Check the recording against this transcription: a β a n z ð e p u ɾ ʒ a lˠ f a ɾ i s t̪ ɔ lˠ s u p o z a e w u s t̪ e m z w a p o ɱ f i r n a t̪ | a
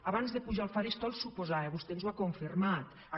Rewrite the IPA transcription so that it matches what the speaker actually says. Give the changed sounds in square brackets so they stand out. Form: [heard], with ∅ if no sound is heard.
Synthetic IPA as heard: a β a n z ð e p u [∅] ʒ a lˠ f a ɾ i s t̪ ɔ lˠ s u p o z a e [β] u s t̪ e [n] z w a [k] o ɱ f i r [m] a t̪ | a

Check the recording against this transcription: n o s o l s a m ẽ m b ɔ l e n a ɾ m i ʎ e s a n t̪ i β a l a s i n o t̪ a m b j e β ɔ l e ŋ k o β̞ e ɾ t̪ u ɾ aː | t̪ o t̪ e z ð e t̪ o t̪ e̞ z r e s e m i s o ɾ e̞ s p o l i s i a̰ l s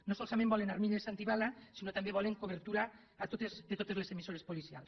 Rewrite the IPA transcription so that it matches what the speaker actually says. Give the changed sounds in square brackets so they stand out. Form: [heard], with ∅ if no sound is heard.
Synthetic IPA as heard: n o s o l s a m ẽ m b ɔ l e n a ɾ m i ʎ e s a n t̪ i β a l a s i n o t̪ a m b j e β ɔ l e ŋ k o β̞ e ɾ t̪ u ɾ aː | t̪ o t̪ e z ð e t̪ o t̪ e̞ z [l] e s e m i s o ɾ e̞ s p o l i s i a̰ l s

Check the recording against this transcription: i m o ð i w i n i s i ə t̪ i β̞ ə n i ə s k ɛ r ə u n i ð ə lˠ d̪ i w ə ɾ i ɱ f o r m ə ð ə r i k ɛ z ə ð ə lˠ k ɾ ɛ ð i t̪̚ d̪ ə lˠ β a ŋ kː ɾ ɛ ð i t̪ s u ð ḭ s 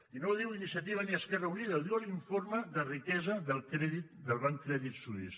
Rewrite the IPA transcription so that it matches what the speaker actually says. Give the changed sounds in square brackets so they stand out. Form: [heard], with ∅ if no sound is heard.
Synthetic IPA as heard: i [n] o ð i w i n i s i ə t̪ i β̞ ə n i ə s k ɛ r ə u n i ð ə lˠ d̪ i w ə [l] i ɱ f o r m ə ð ə r i k ɛ z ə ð ə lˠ k ɾ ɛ ð i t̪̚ d̪ ə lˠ β a ŋ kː ɾ ɛ ð i t̪ s u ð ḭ s

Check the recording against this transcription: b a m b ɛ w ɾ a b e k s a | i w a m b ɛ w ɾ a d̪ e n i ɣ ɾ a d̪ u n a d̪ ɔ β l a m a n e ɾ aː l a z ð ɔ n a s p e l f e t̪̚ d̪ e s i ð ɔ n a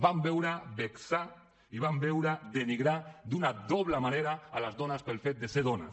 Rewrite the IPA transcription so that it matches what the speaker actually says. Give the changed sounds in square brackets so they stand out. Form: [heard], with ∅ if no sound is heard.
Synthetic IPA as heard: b a m b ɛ w ɾ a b e k s a | i [β] a m b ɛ w ɾ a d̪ e n i ɣ ɾ a d̪ u n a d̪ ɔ β l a m a n e ɾ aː l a z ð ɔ n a s p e l f e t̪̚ d̪ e s [e] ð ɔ n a

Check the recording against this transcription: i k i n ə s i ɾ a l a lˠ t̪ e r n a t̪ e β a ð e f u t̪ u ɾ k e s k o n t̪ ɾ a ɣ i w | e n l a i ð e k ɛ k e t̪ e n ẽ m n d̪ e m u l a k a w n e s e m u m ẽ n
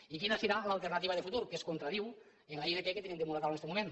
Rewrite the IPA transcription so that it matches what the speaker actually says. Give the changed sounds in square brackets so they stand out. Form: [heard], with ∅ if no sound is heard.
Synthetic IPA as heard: i k i n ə s i ɾ a l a lˠ t̪ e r n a t̪ [i] β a ð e f u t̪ u ɾ k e s k o n t̪ ɾ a [ð] i w | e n l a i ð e k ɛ k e t̪ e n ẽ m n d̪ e m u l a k a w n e s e m u m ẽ n

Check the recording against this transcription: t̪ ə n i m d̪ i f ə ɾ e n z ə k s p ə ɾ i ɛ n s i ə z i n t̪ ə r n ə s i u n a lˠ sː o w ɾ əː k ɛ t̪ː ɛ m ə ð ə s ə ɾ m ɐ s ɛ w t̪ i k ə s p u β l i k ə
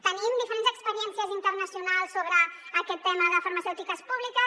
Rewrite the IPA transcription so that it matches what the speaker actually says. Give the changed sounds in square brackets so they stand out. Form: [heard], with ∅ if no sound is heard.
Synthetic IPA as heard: t̪ ə n i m d̪ i f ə ɾ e n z ə k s p ə ɾ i ɛ n s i ə z i n t̪ ə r n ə s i u n a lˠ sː o [β] ɾ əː k ɛ t̪ː ɛ m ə ð ə [f] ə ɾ m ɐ s ɛ w t̪ i k ə s p u β l i k ə

